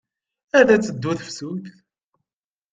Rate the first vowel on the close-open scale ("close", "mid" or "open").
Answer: open